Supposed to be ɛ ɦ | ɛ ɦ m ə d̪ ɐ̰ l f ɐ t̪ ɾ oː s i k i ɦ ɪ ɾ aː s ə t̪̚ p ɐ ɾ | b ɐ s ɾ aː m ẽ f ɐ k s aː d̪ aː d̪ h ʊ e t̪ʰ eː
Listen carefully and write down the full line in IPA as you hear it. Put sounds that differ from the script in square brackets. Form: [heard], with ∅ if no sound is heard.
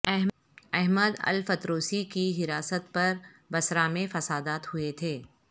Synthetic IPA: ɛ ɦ | ɛ ɦ m ə d̪ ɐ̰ l f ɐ t̪ ɾ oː s i k i ɦ ɪ ɾ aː s ə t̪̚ p ɐ ɾ | b ɐ s ɾ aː m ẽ f ɐ [∅] s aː d̪ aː [t̪] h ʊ e t̪ʰ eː

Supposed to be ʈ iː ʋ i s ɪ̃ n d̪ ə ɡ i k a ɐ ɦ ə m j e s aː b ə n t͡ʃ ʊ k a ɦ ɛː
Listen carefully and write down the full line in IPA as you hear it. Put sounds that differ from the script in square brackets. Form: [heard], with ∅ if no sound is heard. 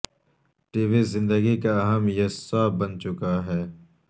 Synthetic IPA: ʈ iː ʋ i [z] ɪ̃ n d̪ ə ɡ i k a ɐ ɦ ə m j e s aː b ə n t͡ʃ ʊ k a ɦ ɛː

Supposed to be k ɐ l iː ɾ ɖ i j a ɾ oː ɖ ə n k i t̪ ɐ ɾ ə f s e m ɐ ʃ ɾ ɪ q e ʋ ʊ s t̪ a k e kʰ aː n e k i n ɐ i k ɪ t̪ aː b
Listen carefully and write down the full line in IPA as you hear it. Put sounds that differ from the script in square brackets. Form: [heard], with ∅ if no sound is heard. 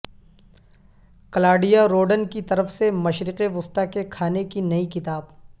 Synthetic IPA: k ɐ l [aː] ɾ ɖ i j a ɾ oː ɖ ə n k i t̪ ɐ ɾ ə f s e m ɐ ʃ ɾ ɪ q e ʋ ʊ s t̪ a k e kʰ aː n e k i n ɐ i k ɪ t̪ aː b

